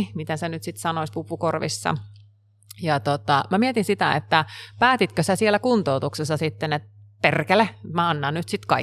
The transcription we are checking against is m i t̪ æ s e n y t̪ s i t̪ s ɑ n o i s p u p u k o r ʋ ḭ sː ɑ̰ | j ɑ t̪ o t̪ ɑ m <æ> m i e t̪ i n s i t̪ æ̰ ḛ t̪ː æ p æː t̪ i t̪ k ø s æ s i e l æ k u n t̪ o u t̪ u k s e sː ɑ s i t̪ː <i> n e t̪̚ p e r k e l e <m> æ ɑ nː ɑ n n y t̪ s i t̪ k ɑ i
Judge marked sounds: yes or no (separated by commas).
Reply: yes, no, yes